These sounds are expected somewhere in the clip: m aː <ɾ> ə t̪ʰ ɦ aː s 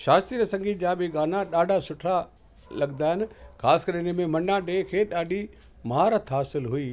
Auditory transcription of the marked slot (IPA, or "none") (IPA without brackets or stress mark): ɾ